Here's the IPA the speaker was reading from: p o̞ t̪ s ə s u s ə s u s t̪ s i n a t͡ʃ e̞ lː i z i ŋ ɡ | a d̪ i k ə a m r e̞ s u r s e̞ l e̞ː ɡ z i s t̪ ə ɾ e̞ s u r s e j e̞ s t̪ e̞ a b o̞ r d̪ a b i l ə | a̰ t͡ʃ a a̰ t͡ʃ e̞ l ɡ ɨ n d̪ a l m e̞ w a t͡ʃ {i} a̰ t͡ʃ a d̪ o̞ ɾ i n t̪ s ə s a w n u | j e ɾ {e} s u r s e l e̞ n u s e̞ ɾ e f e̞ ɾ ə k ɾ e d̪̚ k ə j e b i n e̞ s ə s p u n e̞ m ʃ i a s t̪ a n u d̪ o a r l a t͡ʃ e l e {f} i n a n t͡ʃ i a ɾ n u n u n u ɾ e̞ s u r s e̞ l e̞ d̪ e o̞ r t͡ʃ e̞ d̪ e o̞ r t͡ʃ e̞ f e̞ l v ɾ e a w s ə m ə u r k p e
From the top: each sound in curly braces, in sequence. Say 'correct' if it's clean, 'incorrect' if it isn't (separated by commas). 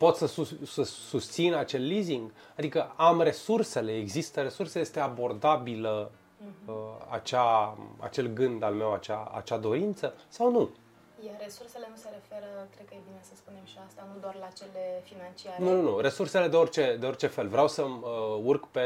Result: incorrect, correct, correct